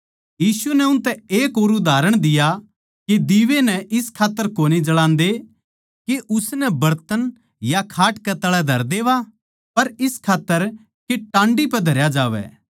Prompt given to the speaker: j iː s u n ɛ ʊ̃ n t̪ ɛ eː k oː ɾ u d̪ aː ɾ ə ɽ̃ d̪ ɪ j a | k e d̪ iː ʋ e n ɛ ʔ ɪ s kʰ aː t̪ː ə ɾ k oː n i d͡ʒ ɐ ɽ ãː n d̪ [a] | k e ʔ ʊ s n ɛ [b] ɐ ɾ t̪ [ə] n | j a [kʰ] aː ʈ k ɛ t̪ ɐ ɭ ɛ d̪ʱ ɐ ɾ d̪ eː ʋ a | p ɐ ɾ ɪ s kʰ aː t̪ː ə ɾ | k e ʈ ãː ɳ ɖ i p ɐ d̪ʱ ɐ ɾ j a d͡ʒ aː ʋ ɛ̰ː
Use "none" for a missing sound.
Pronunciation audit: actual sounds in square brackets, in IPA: e, b, ə, kʰ

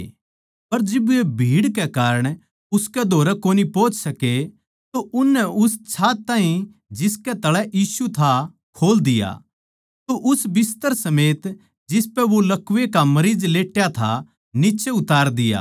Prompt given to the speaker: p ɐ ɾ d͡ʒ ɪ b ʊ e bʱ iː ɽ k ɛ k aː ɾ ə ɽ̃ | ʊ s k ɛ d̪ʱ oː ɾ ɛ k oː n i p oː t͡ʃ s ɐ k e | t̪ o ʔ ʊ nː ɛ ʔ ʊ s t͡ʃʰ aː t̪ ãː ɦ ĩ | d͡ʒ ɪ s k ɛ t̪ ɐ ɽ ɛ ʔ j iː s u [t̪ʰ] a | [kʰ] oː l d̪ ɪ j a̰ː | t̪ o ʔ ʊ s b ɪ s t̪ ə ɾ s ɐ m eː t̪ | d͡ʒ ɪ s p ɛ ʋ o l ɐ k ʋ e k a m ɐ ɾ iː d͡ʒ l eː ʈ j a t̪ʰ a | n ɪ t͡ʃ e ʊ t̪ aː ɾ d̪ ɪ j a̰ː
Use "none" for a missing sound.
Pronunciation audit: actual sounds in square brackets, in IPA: t̪ʰ, kʰ

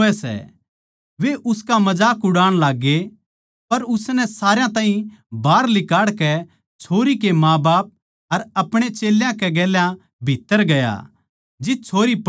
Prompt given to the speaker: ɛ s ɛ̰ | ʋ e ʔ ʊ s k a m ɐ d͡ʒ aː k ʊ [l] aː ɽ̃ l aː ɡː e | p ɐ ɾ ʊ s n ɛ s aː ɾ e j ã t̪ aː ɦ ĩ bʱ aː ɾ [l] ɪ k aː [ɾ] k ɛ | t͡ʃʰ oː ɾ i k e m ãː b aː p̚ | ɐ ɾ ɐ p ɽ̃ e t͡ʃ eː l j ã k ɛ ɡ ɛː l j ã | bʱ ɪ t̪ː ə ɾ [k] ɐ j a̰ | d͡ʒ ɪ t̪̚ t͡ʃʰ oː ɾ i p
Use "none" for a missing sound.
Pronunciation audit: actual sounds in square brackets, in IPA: ɽ, l, ɽ, ɡ

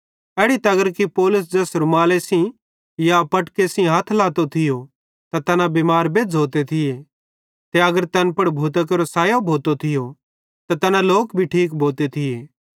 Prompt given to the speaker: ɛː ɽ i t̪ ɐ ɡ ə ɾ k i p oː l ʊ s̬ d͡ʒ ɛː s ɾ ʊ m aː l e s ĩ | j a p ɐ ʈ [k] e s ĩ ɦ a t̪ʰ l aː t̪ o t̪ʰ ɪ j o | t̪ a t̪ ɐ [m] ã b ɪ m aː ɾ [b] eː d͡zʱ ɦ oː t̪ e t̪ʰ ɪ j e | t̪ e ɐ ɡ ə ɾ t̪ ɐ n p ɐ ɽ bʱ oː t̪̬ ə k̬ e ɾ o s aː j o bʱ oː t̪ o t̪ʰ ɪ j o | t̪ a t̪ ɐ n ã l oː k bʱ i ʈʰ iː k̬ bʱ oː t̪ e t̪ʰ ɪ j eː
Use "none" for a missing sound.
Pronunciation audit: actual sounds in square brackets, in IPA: k, n, b

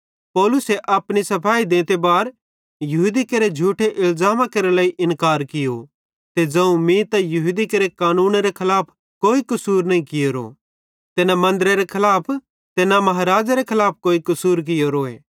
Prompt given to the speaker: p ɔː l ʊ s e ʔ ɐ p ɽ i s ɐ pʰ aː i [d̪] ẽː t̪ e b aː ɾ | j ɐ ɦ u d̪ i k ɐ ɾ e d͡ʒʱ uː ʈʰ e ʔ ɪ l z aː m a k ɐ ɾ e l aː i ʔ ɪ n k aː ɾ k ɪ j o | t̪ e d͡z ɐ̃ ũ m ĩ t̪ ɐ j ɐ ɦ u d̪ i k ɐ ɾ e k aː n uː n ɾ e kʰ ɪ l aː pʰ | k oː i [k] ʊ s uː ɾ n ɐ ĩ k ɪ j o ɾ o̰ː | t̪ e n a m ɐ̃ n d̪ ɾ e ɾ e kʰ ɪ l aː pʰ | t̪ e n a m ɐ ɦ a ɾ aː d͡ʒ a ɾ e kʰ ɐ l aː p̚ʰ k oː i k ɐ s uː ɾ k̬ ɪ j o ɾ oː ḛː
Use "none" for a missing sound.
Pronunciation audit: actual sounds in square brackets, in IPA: d̪, k

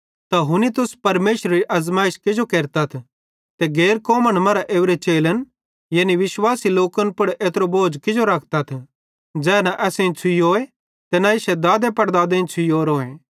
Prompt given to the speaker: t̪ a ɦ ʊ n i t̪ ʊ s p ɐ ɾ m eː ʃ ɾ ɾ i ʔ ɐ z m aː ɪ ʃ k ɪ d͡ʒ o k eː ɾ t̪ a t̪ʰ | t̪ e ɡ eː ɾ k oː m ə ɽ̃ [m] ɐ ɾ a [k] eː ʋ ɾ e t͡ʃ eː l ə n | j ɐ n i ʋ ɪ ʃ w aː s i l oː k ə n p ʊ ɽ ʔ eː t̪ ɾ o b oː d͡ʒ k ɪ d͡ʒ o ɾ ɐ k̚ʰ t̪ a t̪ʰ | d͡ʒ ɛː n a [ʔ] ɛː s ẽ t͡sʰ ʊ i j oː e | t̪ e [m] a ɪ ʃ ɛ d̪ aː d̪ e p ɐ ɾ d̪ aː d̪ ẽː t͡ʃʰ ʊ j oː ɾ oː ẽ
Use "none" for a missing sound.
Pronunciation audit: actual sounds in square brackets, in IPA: m, ʔ, ʔ, n

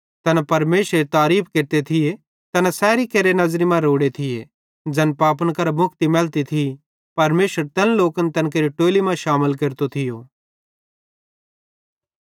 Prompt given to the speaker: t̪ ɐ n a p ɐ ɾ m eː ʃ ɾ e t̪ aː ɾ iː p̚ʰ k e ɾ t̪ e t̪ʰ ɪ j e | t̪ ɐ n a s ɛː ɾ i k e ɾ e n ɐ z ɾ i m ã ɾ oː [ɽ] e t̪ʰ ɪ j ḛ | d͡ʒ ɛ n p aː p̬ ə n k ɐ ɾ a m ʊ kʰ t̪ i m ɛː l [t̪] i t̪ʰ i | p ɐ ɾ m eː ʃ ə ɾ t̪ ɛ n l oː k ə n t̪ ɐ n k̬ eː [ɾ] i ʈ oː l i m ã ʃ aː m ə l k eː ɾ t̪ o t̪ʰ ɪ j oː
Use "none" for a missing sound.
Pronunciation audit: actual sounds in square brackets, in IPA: ɽ, t̪, ɾ

